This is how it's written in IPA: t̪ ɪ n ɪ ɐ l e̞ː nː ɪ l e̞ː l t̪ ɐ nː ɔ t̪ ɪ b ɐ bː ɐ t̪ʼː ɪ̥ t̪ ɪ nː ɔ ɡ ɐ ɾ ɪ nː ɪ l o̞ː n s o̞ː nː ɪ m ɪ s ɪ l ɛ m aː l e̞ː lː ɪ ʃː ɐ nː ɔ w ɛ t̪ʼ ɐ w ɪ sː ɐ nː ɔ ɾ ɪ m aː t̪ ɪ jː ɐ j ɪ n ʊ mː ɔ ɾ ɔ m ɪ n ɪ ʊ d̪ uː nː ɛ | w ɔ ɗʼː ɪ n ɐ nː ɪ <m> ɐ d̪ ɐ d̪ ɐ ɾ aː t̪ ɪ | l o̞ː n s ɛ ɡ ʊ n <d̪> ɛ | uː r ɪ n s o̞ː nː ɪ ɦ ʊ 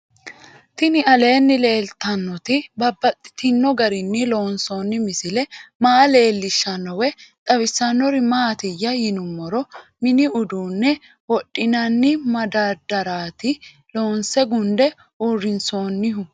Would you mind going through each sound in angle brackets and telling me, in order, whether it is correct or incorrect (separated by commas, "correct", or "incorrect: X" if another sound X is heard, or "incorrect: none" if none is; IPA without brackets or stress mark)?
correct, correct